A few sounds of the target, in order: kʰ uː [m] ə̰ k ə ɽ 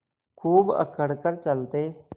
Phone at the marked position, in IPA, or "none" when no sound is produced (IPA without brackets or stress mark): b